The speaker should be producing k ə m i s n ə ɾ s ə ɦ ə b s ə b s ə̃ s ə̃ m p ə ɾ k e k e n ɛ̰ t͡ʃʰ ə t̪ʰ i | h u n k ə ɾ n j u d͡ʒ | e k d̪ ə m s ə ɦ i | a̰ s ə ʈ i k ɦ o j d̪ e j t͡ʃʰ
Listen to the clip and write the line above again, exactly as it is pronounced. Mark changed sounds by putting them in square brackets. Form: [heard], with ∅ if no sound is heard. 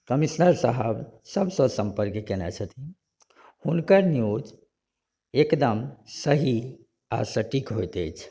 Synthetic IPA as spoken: k ə m i s n ə ɾ s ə ɦ ə b s ə b s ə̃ s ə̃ m p ə ɾ k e k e n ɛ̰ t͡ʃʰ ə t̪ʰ i | h u n k ə ɾ n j u d͡ʒ | e k d̪ ə m s ə ɦ i | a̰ s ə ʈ i k ɦ o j [t̪] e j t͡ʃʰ